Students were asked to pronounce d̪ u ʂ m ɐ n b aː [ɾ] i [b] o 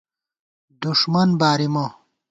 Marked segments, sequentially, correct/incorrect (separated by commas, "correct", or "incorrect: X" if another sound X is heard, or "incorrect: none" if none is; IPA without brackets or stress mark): correct, incorrect: m